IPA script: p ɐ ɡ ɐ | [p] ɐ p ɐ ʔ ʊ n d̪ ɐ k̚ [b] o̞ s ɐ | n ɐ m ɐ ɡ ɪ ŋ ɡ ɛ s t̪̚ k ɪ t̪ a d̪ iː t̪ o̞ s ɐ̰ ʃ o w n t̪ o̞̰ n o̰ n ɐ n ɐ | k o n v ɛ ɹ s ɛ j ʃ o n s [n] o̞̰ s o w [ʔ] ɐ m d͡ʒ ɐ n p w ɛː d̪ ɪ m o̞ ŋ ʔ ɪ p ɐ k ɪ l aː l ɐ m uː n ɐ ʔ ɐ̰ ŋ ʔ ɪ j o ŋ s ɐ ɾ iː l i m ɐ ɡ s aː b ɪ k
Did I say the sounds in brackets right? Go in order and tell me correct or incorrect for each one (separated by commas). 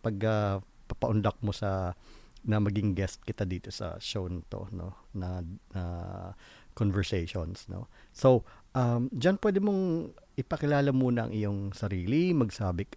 correct, incorrect, correct, correct